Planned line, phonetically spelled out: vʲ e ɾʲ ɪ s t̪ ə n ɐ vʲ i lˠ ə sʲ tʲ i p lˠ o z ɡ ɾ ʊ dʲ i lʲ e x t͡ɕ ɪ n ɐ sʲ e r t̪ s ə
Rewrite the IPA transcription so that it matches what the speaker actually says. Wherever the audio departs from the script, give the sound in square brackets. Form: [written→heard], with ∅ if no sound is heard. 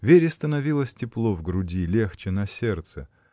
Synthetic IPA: vʲ e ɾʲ ɪ s t̪ ə n ɐ vʲ i lˠ ə sʲ tʲ [i→ɪ] p lˠ o [z→v] ɡ ɾ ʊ dʲ i lʲ e x t͡ɕ ɪ n ɐ sʲ e r t̪ s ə